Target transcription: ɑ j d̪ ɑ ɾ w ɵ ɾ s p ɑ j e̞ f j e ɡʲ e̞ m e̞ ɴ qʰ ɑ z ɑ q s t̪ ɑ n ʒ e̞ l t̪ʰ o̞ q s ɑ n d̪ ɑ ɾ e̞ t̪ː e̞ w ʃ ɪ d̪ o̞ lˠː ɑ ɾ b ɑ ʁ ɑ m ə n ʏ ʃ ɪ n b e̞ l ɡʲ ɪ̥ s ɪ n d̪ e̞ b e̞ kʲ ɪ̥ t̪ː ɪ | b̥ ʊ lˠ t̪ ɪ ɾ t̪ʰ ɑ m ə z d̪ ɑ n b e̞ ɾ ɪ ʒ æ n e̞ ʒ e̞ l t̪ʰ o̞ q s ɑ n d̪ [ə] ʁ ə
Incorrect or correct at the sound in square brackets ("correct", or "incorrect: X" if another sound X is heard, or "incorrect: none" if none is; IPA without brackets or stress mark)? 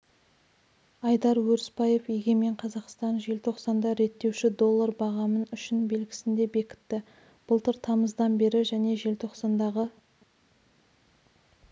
incorrect: ɑ